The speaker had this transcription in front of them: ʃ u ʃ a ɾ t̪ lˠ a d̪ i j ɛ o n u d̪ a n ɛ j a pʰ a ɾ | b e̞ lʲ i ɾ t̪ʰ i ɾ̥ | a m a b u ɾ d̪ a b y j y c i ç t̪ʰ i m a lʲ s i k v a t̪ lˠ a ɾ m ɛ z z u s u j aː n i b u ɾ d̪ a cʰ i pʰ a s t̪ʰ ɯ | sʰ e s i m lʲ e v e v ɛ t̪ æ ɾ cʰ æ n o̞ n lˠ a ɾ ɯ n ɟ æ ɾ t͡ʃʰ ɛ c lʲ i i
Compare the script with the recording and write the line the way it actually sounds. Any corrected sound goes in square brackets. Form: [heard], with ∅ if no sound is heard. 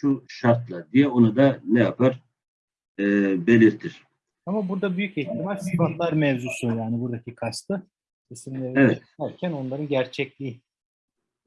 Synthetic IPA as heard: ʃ u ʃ a ɾ t̪ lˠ a d̪ i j ɛ o n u d̪ a n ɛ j a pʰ a ɾ | b e̞ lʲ i ɾ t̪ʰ i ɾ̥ | a m a b u ɾ d̪ a b y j y c i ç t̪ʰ i m a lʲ s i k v a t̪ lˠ a ɾ m ɛ [v] z u s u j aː n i b u ɾ d̪ a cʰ i [kʰ] a s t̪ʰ ɯ | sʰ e s i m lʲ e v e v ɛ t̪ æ ɾ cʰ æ n o̞ n lˠ a ɾ ɯ n ɟ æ ɾ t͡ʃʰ ɛ c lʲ i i

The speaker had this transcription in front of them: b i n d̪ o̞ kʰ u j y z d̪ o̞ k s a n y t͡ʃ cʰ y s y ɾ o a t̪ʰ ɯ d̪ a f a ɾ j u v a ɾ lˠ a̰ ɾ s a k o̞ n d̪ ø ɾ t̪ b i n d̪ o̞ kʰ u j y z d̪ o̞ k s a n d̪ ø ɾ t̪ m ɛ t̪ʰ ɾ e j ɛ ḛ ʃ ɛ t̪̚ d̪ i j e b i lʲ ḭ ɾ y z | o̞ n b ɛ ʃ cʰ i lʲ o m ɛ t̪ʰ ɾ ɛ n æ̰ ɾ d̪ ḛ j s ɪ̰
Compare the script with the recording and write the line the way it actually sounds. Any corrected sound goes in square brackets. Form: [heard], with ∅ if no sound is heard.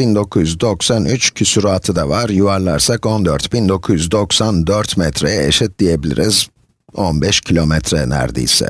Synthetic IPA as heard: b i n d̪ o̞ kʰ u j y z d̪ o̞ k s a n y t͡ʃ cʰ y s y ɾ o a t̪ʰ ɯ d̪ a [v] a ɾ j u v a ɾ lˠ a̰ ɾ s a k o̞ n d̪ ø ɾ t̪ b i n d̪ o̞ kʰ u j y z d̪ o̞ k s a n d̪ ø ɾ t̪ m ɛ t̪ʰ ɾ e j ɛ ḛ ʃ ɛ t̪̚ d̪ i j e b i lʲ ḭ ɾ [i] z | o̞ n b ɛ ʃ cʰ i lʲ o m ɛ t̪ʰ ɾ ɛ n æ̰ ɾ d̪ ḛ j s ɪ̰

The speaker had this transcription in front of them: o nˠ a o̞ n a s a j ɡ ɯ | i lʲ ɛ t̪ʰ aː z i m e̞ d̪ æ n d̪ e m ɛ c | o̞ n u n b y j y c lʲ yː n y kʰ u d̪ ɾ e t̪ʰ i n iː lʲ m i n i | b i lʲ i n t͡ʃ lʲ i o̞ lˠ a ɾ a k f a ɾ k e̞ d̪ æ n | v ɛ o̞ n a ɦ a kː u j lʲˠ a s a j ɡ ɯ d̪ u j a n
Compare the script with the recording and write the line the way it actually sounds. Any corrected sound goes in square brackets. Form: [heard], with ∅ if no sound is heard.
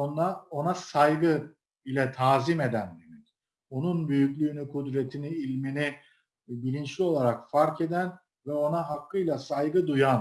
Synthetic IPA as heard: o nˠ a o̞ n a s a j ɡ ɯ | i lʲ ɛ t̪ʰ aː z i m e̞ d̪ æ n d̪ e m ɛ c | o̞ n u n b y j y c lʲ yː n y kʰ u d̪ ɾ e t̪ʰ i n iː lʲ m i n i | b i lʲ i n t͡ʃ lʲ i o̞ lˠ a ɾ a k f a ɾ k e̞ d̪ æ n | v ɛ o̞ n a ɦ a kː [ɯ] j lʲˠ a s a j ɡ ɯ d̪ u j a n

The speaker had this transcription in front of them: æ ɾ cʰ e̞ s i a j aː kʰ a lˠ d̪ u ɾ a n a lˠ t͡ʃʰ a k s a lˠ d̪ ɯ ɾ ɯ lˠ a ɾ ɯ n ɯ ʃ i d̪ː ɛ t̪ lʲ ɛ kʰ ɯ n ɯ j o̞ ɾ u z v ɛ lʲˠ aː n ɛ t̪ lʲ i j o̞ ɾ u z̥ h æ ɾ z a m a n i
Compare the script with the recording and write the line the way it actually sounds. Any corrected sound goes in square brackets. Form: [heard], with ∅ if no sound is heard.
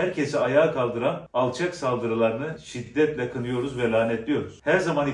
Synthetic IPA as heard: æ ɾ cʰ e̞ s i a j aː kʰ a lˠ d̪ [ɯ] ɾ a n a lˠ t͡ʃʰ a k s a lˠ d̪ ɯ ɾ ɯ lˠ a ɾ ɯ n ɯ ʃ i d̪ː ɛ t̪ lʲ ɛ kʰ ɯ n ɯ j o̞ ɾ u z v ɛ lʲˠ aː n ɛ t̪ lʲ i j o̞ ɾ u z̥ h æ ɾ z a m a n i

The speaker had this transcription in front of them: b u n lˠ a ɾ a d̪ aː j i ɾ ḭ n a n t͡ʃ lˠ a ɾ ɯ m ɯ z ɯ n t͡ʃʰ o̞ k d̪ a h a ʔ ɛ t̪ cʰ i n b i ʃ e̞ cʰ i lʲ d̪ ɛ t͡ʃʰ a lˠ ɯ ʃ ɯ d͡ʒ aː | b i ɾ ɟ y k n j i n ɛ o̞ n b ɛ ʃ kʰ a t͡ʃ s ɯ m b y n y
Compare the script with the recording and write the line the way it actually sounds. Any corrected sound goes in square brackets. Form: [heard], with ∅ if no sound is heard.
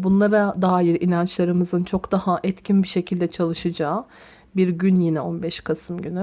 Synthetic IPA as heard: b u n lˠ a ɾ a d̪ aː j i ɾ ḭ n a n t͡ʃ lˠ a ɾ ɯ m ɯ z ɯ n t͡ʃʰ o̞ k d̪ a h a ʔ ɛ t̪ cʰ i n b i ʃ e̞ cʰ i lʲ d̪ ɛ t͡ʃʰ a lˠ ɯ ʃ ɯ d͡ʒ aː | b i ɾ ɟ y [∅] n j i n ɛ o̞ n b ɛ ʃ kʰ a [∅] s ɯ m [ɟ] y n y

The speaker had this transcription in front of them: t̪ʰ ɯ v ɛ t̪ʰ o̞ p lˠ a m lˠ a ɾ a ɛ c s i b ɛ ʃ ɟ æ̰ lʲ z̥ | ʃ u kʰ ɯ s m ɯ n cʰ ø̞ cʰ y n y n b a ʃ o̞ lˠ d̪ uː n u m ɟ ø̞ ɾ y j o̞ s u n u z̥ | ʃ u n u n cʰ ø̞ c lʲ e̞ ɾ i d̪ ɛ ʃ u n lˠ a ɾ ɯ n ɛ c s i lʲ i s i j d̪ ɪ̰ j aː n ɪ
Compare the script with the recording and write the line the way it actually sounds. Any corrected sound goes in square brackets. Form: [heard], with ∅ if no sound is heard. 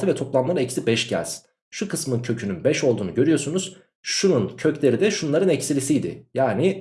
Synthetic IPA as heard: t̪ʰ ɯ v ɛ t̪ʰ o̞ p lˠ a m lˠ a ɾ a ɛ c s i b ɛ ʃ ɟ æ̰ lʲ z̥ | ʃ u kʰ ɯ s m ɯ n cʰ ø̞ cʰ y n y n b [ɛ] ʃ o̞ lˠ d̪ uː n u [∅] ɟ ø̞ ɾ y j o̞ s u n u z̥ | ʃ u n u n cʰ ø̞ c lʲ e̞ ɾ i d̪ ɛ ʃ u n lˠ a ɾ ɯ n ɛ c s i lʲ i s i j d̪ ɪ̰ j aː n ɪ

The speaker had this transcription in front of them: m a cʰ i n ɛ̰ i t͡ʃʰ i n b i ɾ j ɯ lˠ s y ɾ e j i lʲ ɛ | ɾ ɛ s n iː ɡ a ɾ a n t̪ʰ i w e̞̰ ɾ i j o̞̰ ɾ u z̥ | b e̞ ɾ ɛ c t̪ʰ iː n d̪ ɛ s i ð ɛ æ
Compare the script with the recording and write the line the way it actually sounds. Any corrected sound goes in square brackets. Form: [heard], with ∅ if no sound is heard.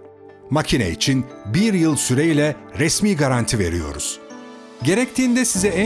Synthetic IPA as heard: m a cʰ i n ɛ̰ i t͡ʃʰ i n b i ɾ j ɯ lˠ s y ɾ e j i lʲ ɛ | ɾ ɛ s [m] iː ɡ a ɾ a n t̪ʰ i [v] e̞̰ ɾ i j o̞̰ ɾ u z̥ | [ɟ] e̞ ɾ ɛ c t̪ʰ iː n d̪ ɛ s i [z] ɛ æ

